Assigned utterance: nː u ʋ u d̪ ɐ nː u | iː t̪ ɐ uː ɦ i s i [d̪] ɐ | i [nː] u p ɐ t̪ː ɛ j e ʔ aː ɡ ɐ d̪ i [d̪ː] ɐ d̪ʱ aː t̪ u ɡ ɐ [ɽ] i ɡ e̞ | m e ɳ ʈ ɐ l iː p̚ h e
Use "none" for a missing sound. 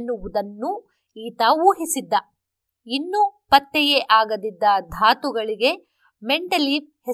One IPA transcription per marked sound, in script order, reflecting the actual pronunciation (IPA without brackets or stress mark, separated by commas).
d̪ː, nː, d̪ː, ɭ